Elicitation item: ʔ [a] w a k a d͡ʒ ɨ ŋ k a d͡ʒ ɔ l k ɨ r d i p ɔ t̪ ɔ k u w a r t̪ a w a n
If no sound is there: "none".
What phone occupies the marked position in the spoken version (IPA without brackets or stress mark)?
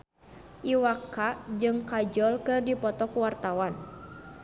i